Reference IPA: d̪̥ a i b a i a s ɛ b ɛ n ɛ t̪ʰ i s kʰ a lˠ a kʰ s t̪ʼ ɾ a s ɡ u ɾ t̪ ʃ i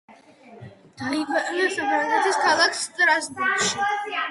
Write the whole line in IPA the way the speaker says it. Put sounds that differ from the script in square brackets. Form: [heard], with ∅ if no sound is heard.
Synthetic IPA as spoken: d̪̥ a i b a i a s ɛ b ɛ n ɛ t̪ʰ i s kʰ a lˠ a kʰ s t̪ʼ ɾ a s [b] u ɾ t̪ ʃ i